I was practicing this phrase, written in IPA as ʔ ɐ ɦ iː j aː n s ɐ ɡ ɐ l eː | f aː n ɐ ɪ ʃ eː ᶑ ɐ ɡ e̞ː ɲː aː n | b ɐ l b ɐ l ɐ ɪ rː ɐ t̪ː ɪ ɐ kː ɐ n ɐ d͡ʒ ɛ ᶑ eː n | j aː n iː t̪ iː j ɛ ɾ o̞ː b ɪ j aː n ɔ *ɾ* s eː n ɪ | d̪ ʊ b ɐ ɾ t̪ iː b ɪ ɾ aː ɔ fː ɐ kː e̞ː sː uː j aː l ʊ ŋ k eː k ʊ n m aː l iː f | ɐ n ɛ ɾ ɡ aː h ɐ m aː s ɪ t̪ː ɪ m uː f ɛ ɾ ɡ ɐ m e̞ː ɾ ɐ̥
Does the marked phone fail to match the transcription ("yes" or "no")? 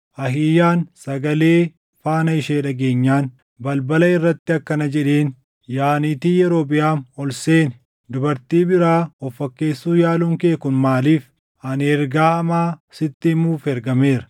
yes